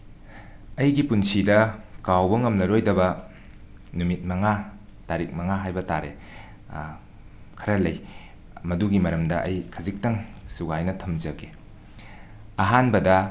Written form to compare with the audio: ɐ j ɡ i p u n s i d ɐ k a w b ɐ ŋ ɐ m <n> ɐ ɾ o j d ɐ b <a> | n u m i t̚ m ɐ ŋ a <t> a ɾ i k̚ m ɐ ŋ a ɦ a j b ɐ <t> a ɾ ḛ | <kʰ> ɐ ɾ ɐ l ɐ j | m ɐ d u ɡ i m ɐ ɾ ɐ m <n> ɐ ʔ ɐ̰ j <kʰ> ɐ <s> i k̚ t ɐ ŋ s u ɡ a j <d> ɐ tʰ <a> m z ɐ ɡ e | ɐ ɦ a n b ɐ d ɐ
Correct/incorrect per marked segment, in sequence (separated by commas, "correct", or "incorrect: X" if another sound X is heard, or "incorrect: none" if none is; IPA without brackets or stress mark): correct, incorrect: ɐ, correct, correct, correct, incorrect: d, correct, incorrect: z, incorrect: n, incorrect: ɐ